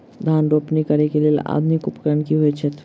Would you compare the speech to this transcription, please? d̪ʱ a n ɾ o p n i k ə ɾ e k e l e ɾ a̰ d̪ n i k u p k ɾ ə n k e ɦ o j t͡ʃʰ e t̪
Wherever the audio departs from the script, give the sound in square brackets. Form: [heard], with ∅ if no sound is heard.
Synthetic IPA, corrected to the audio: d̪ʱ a n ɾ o p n i k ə ɾ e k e l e [l] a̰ d̪ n i k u p k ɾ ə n k [i] ɦ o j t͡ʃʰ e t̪